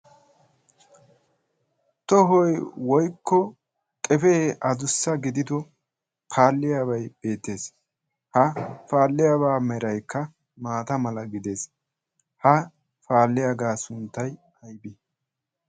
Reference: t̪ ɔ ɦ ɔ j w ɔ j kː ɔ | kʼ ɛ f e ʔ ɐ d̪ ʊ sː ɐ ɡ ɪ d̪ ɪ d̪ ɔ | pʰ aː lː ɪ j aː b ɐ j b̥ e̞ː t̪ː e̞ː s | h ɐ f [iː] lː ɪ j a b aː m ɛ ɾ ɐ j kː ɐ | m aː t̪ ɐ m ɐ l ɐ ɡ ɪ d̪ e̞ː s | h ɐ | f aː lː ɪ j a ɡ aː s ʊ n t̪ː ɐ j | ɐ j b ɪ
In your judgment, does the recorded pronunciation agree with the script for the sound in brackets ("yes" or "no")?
no